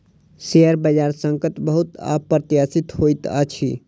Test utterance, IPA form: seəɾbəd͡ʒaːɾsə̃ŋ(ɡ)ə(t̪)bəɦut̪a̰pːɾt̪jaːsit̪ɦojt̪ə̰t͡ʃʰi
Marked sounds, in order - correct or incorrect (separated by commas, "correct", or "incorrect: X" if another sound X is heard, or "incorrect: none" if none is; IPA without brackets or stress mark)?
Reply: incorrect: k, correct